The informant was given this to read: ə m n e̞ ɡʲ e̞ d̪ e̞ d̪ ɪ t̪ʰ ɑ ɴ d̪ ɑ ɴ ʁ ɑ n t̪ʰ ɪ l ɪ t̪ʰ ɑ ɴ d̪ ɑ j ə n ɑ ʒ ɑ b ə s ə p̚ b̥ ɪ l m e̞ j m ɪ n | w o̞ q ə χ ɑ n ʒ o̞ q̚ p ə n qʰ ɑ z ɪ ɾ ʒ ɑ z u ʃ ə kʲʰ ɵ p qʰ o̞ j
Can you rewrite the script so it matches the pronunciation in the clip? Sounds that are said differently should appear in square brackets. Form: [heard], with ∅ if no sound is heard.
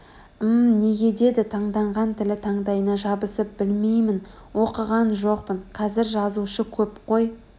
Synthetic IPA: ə m n e̞ ɡʲ e̞ d̪ e̞ d̪ ɪ t̪ʰ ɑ ɴ d̪ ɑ ɴ ʁ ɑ n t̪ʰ ɪ l ɪ t̪ʰ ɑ ɴ d̪ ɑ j ə n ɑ ʒ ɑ b ə s ə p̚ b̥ ɪ l m e̞ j m ɪ n | w o̞ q ə [ʁ] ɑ n ʒ o̞ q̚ p ə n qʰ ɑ z ɪ ɾ ʒ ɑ z u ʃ ə kʲʰ ɵ p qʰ o̞ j

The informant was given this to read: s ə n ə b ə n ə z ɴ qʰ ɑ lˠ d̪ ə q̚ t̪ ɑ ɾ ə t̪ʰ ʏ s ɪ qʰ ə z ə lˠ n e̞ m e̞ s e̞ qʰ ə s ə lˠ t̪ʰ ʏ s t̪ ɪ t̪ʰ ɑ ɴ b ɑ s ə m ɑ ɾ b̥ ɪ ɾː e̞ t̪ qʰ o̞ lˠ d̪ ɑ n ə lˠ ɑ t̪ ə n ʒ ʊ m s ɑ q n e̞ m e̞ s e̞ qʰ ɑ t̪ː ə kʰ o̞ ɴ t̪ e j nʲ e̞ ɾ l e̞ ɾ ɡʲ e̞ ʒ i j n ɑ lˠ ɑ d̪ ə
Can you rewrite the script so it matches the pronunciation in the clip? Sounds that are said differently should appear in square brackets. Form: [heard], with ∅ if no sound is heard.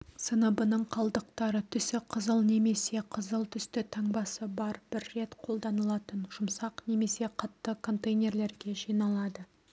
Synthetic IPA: s ə n ə b ə n ə [∅] ɴ qʰ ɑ lˠ d̪ ə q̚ t̪ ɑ ɾ ə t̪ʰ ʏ s ɪ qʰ ə z ə lˠ n e̞ m e̞ s e̞ qʰ ə [z] ə lˠ t̪ʰ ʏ s t̪ ɪ t̪ʰ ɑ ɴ b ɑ s ə [b] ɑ ɾ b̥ ɪ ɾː e̞ t̪ qʰ o̞ lˠ d̪ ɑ n ə lˠ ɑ t̪ ə n ʒ ʊ m s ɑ q n e̞ m e̞ s e̞ qʰ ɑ t̪ː ə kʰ o̞ [n] t̪ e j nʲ e̞ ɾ l e̞ ɾ ɡʲ e̞ ʒ i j n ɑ lˠ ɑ d̪ ə

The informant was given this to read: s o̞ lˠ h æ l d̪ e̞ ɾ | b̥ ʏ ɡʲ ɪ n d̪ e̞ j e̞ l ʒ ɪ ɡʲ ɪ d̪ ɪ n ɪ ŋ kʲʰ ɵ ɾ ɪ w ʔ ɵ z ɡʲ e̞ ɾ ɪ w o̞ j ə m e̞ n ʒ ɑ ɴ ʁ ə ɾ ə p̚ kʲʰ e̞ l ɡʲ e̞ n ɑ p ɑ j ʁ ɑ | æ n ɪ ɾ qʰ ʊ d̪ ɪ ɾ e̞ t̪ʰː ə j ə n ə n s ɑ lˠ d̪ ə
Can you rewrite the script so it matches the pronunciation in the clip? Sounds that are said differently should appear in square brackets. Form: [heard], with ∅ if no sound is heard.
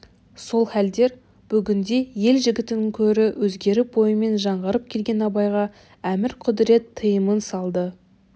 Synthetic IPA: s o̞ lˠ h æ l d̪ e̞ ɾ | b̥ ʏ ɡʲ ɪ n d̪ e̞ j e̞ l ʒ ɪ ɡʲ ɪ [t̪] ɪ n ɪ ŋ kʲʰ ɵ ɾ ɪ w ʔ ɵ z ɡʲ e̞ ɾ ɪ [b] o̞ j ə m e̞ n ʒ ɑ ɴ ʁ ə ɾ ə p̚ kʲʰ e̞ l ɡʲ e̞ n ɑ [b] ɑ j ʁ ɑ | æ [m] ɪ ɾ qʰ ʊ d̪ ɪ ɾ e̞ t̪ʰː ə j ə [m] ə n s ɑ lˠ d̪ ə

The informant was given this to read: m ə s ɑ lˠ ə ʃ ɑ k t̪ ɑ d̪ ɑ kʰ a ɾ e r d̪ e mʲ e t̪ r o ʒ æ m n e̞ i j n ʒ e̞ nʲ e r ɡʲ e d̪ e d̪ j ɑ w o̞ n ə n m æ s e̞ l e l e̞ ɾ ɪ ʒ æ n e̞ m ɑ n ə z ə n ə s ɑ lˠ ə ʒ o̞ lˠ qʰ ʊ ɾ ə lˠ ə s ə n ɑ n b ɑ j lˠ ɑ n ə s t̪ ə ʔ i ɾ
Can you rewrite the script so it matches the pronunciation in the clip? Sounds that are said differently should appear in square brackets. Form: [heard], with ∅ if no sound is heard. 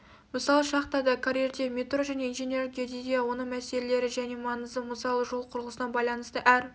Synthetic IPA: m ə s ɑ lˠ ə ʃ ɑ [q] t̪ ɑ d̪ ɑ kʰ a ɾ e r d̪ e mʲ e t̪ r o ʒ æ [∅] n e̞ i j n ʒ e̞ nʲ e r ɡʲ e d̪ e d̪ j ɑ w o̞ n ə [ɴ] m æ s e̞ l e l e̞ ɾ ɪ ʒ æ n e̞ m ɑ n ə z ə [m] ə s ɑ lˠ ə ʒ o̞ lˠ qʰ ʊ ɾ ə lˠ ə s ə n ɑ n b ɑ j lˠ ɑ n ə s t̪ ə ʔ [æ] ɾ

